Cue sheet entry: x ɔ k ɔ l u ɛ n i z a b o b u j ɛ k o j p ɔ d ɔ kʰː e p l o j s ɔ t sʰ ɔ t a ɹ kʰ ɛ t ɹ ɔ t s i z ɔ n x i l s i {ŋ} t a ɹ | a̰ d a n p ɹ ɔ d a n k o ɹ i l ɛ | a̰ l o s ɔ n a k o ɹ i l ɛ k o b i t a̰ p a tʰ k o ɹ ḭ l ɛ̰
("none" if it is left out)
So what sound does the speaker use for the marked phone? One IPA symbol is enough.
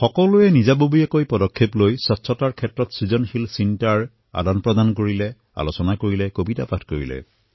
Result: n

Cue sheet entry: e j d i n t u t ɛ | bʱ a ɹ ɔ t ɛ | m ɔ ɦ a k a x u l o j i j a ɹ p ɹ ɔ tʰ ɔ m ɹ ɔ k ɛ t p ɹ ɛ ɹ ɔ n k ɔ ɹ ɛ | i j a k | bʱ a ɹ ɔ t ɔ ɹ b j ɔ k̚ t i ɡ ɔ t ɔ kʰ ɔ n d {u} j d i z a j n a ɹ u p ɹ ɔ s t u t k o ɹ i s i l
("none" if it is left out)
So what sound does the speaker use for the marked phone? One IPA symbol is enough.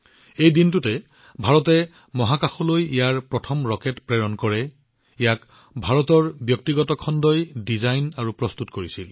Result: ɔ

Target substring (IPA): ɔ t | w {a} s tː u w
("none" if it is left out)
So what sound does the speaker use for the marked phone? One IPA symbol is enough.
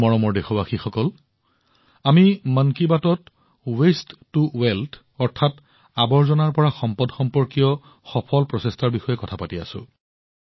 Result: e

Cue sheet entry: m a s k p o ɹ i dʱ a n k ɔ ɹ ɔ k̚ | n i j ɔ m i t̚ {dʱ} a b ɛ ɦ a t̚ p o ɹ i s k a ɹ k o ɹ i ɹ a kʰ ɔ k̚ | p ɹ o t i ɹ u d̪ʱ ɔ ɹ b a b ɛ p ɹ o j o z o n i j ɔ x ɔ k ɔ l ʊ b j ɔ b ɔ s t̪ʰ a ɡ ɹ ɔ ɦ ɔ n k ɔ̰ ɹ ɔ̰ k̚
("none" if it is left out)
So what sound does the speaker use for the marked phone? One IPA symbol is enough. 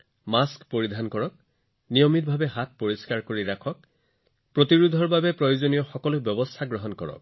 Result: bʱ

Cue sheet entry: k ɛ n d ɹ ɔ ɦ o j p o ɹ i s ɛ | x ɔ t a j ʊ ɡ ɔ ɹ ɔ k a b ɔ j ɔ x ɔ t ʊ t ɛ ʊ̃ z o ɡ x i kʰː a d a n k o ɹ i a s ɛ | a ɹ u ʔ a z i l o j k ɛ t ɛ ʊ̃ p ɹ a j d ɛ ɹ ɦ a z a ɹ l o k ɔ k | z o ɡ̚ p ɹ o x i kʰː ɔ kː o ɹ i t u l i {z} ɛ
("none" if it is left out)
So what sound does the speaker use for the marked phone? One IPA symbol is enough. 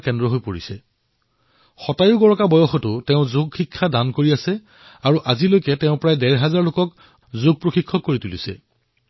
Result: s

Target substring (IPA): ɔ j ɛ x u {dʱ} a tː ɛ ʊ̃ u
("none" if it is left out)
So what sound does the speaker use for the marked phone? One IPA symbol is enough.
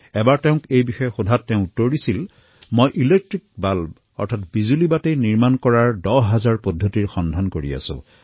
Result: dʱ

